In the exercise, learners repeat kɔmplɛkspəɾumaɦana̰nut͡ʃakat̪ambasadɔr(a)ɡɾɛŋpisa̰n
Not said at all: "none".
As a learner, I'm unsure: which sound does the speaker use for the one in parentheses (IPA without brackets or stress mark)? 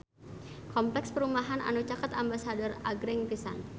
a